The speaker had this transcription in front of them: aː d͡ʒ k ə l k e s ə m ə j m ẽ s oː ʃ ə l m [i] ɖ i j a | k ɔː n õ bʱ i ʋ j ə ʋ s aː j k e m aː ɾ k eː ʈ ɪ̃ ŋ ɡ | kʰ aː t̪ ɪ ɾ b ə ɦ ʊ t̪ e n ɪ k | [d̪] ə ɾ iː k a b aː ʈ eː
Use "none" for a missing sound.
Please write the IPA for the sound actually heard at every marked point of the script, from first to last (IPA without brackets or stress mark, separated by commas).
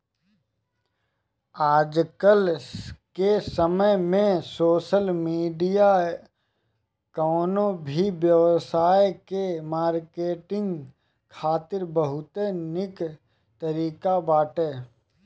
iː, t̪